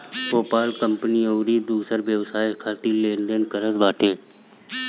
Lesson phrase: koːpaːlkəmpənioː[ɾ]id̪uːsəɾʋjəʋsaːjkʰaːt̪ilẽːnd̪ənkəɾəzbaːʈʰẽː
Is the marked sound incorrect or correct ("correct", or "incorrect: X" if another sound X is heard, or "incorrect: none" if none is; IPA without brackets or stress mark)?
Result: correct